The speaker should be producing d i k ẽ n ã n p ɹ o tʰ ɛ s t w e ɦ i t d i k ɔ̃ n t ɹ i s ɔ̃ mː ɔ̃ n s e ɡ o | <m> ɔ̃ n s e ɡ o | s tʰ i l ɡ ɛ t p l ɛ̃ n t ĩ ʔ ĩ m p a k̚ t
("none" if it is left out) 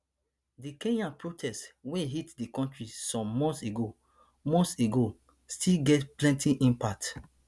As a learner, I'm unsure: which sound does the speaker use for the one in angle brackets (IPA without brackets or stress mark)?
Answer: m